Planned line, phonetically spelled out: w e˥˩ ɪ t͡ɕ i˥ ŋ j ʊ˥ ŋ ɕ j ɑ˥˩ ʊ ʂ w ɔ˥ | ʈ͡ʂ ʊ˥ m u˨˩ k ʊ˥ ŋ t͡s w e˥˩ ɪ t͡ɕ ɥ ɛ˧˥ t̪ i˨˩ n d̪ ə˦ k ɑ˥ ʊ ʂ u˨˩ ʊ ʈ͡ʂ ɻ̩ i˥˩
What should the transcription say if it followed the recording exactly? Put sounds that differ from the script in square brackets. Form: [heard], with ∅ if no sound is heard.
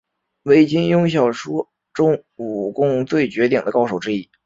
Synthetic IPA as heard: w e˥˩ ɪ t͡ɕ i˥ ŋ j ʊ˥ ŋ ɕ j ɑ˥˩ ʊ ʂ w ɔ˥ | ʈ͡ʂ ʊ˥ [ŋ] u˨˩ k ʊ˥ ŋ t͡s w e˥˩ ɪ t͡ɕ ɥ ɛ˧˥ t̪ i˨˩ [ŋ] d̪ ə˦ k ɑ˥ ʊ ʂ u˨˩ ʊ ʈ͡ʂ ɻ̩ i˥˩